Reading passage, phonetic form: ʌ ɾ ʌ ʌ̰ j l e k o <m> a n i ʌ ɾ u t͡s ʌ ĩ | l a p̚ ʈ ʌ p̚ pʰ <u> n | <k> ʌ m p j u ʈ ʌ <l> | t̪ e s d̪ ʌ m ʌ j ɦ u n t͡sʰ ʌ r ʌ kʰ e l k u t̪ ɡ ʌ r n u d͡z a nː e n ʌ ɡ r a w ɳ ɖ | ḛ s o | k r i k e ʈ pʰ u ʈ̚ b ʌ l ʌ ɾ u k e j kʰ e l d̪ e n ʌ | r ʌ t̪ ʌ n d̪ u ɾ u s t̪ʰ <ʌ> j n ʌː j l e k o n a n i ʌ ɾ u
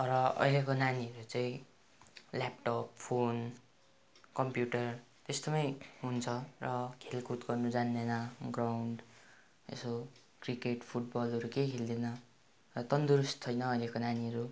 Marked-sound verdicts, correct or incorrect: incorrect: n, incorrect: o, correct, incorrect: r, correct

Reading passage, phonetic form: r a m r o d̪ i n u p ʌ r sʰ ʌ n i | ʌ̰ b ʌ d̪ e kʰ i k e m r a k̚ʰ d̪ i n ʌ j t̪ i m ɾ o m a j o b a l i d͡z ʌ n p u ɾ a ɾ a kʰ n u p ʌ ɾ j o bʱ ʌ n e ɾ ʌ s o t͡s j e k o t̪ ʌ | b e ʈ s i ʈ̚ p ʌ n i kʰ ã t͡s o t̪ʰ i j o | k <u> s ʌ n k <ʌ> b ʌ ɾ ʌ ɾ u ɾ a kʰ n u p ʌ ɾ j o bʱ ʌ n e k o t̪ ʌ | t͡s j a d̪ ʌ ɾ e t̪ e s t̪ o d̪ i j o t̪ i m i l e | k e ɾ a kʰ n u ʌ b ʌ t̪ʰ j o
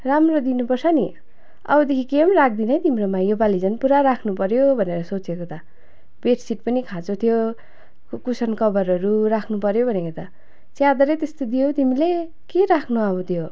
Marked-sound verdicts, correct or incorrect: correct, correct

